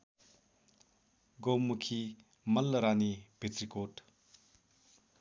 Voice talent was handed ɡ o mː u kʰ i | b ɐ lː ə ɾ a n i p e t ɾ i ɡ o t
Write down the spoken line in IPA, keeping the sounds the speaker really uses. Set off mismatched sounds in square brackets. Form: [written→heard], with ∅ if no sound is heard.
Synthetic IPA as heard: ɡ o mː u kʰ i | [b→m] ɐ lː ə ɾ a n i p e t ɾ i [ɡ→k] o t